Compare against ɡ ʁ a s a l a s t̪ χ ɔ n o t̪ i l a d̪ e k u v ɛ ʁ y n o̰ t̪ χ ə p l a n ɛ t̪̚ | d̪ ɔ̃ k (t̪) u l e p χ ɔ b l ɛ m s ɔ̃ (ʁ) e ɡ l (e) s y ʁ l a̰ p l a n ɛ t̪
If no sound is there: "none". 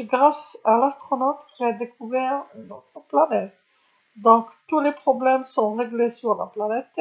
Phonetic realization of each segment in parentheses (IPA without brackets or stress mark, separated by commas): t̪, ʁ, e